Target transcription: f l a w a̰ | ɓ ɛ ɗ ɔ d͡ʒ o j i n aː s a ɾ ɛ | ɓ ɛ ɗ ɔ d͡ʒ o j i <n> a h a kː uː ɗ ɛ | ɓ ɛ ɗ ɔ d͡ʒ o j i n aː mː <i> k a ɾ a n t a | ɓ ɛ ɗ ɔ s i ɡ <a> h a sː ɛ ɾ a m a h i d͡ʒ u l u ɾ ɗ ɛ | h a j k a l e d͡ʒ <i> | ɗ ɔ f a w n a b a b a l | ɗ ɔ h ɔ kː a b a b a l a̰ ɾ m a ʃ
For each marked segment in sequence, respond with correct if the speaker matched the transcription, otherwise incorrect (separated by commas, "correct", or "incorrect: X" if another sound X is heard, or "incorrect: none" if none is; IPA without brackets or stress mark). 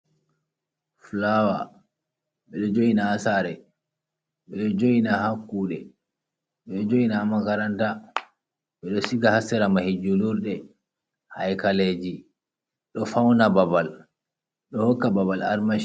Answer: correct, incorrect: a, correct, correct